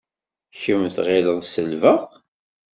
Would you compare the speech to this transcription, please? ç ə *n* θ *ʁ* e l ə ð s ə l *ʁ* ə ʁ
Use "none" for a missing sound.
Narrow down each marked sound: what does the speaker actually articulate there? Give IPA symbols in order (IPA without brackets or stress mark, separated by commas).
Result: m, ʁ, v